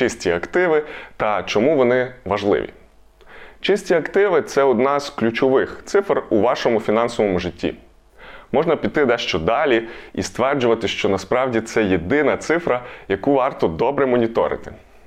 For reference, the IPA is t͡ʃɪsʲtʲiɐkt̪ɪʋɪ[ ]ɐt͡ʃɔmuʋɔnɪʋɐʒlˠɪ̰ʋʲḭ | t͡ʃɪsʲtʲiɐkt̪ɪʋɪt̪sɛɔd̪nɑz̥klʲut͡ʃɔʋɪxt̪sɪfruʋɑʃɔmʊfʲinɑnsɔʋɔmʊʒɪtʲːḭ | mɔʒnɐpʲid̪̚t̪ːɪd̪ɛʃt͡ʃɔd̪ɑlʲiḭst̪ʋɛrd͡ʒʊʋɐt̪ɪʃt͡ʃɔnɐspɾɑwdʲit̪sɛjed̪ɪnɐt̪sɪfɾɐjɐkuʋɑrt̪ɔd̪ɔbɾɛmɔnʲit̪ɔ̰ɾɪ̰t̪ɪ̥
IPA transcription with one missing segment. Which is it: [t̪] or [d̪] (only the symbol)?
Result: t̪